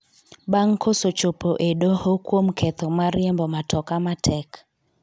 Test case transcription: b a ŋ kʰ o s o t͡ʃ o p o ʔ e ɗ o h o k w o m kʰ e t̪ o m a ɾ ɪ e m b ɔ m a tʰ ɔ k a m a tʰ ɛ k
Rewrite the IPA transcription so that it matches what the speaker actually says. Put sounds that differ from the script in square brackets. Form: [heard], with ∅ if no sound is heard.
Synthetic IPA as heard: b a ŋ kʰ o s o t͡ʃ o p o ʔ e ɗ o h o k w o m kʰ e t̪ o m a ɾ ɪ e m b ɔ m a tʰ ɔ k a m a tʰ ɛ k